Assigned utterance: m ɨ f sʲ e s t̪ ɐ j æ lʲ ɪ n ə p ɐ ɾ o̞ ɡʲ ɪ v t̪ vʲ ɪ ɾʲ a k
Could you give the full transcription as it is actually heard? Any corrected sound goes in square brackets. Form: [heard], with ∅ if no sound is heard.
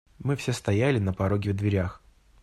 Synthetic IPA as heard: m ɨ f sʲ e s t̪ ɐ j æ lʲ ɪ n ə p ɐ ɾ o̞ ɡʲ ɪ v [d̪] vʲ ɪ ɾʲ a [x]